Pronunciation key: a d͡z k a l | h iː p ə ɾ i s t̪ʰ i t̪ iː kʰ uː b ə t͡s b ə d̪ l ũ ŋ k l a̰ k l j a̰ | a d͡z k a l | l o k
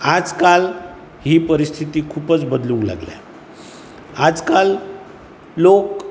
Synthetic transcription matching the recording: a d͡z k a l | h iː p ə ɾ i s t̪ʰ i t̪ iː kʰ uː p ə t͡s b ə d̪ l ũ ŋ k l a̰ ɡ l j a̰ | a d͡z k a l | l o k